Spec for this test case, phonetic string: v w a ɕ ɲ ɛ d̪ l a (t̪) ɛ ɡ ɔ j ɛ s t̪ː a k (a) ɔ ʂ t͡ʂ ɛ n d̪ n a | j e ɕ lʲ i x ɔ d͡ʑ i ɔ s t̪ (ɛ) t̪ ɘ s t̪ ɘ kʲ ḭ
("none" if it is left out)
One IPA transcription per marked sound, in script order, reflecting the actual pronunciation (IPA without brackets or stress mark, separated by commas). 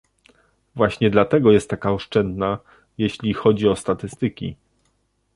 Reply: t̪, a, a